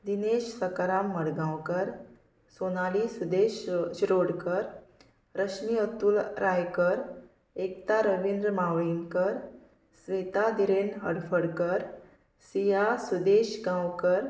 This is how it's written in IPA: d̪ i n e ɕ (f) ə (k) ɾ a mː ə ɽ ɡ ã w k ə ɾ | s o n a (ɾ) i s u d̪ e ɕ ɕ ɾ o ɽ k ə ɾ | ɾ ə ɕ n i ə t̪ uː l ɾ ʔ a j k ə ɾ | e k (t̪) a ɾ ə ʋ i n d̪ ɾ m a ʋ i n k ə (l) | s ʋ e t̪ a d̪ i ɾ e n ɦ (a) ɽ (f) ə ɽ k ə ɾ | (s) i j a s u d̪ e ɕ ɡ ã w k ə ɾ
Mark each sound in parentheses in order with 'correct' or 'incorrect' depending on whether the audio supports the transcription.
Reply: incorrect, correct, incorrect, correct, incorrect, incorrect, correct, correct

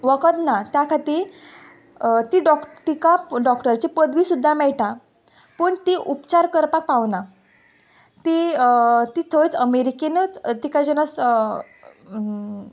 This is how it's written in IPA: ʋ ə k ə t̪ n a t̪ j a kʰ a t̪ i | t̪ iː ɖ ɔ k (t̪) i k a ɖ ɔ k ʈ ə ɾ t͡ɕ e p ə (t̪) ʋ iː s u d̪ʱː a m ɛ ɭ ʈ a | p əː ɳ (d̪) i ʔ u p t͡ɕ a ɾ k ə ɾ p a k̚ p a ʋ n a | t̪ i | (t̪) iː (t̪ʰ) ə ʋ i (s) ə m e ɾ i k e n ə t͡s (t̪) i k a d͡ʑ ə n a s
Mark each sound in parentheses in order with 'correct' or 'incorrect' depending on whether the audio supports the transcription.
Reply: correct, incorrect, incorrect, correct, correct, incorrect, correct

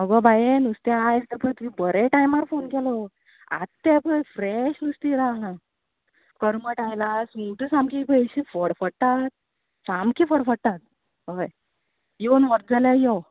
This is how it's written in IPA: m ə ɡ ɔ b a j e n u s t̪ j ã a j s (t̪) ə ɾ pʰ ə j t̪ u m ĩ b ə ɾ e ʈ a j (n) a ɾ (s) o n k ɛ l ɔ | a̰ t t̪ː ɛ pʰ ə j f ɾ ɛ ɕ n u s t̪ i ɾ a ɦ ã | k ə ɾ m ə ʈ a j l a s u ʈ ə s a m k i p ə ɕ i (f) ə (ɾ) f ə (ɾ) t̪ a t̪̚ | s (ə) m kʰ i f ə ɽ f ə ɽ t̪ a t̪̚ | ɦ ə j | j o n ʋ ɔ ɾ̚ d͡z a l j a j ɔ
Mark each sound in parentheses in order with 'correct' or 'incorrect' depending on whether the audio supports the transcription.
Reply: correct, incorrect, incorrect, correct, incorrect, incorrect, incorrect

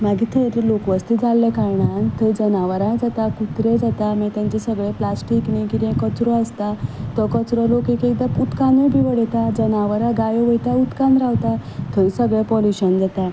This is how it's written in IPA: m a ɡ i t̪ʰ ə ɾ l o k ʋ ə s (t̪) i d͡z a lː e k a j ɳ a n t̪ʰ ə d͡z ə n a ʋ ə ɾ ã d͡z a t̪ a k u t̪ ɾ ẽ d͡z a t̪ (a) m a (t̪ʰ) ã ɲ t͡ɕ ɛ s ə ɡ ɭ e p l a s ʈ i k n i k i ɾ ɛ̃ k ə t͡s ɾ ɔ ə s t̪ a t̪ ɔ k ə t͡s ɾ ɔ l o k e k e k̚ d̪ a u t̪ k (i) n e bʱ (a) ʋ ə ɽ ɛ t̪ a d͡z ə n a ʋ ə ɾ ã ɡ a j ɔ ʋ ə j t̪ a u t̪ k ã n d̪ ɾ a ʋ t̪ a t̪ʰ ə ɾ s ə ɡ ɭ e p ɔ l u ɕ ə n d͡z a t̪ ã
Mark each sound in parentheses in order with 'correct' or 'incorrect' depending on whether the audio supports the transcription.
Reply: correct, correct, incorrect, incorrect, incorrect

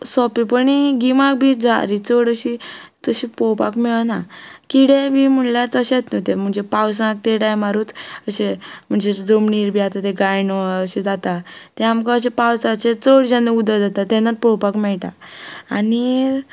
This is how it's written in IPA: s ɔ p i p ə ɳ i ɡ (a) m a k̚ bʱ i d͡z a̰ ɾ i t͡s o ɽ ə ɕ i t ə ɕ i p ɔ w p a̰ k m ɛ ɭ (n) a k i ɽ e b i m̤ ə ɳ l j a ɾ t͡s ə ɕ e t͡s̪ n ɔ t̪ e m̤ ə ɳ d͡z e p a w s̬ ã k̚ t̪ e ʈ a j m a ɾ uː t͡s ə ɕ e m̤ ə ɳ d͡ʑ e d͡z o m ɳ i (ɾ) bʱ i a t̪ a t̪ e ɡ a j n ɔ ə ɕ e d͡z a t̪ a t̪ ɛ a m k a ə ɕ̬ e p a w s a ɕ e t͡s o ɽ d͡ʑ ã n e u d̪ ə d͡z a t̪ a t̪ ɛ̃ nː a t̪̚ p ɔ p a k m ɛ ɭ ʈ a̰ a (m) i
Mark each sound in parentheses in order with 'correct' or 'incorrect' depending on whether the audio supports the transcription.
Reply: incorrect, correct, correct, incorrect

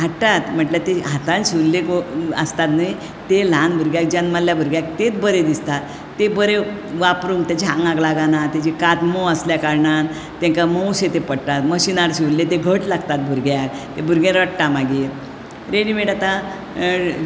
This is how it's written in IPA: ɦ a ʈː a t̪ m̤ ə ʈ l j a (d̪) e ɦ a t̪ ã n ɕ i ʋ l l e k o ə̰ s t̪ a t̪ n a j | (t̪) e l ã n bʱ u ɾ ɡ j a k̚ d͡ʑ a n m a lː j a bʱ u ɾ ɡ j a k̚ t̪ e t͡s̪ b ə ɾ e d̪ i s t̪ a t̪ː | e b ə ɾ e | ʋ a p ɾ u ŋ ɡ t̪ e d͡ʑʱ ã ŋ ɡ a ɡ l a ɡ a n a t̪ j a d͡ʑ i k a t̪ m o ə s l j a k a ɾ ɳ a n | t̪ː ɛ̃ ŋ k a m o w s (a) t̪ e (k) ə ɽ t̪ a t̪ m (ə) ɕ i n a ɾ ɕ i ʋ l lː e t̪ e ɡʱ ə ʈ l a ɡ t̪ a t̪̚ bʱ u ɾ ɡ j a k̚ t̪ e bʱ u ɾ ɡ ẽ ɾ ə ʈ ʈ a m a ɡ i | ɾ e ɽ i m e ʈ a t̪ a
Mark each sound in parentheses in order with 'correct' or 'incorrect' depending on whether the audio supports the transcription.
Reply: incorrect, correct, incorrect, incorrect, correct

